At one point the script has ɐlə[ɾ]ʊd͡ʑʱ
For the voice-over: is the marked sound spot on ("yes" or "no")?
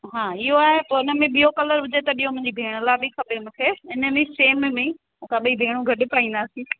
yes